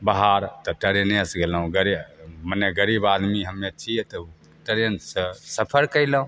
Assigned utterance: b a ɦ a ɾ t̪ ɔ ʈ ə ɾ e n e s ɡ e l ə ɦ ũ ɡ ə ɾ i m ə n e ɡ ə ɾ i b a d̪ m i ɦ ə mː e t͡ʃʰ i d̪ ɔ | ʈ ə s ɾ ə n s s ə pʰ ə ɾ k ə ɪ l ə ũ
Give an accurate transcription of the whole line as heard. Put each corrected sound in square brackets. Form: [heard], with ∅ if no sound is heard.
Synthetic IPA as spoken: b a ɦ a ɾ t̪ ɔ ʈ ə ɾ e n e s ɡ e l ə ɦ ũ ɡ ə ɾ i m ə n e ɡ ə ɾ i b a d̪ m i ɦ ə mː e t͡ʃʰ i [t̪] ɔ | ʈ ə [∅] ɾ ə n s s ə pʰ ə ɾ k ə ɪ l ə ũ